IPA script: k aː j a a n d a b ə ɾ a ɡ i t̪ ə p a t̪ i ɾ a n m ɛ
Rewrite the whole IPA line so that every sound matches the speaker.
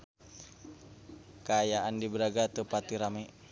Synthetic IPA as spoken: k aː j a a n d i b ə ɾ a ɡ a t̪ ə p a t̪ i ɾ a m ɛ